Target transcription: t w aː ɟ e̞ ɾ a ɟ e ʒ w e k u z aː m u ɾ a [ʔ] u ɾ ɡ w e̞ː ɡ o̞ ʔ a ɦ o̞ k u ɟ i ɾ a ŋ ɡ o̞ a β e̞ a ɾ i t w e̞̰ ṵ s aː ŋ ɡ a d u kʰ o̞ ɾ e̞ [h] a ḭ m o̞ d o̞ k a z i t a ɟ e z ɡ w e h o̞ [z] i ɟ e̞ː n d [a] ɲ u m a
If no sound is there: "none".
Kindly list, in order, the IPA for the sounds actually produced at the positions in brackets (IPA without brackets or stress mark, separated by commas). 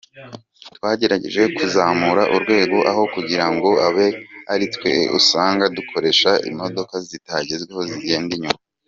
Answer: ʔ, ʃ, z, i